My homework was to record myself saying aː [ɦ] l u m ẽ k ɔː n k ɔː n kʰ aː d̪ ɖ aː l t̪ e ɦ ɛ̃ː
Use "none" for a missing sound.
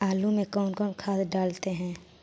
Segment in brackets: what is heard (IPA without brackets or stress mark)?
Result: none